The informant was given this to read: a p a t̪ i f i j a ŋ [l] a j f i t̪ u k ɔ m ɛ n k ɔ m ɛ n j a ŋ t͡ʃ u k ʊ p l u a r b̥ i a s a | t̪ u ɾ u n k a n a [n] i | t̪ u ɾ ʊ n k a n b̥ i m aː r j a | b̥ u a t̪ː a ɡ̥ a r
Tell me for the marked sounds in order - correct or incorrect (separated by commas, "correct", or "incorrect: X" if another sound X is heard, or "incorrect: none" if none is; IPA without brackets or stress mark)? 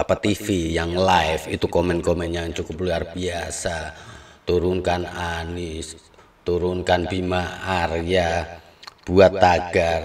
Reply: correct, correct